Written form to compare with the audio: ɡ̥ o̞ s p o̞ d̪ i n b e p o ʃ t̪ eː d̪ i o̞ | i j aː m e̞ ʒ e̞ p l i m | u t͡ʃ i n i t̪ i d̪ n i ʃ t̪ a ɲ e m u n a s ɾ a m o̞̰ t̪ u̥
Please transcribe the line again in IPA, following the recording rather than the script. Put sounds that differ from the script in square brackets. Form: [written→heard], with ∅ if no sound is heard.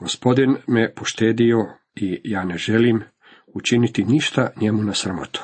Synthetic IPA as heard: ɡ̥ o̞ s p o̞ d̪ i n [b→m] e p o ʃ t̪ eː d̪ i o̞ | i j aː [m→n] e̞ ʒ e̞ [p→∅] l i m | u t͡ʃ i n i t̪ i [d̪→∅] n i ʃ t̪ a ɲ e m u n a s ɾ a m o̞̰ t̪ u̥